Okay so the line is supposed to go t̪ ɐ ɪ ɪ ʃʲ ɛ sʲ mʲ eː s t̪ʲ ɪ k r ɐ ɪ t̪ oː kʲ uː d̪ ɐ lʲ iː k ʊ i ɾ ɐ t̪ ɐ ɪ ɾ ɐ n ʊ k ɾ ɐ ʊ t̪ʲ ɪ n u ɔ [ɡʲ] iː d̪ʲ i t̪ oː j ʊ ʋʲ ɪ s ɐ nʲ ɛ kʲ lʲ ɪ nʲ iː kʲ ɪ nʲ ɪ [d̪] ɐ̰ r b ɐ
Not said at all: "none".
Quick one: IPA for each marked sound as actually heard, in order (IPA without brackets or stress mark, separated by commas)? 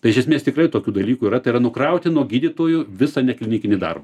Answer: ɡʲ, d̪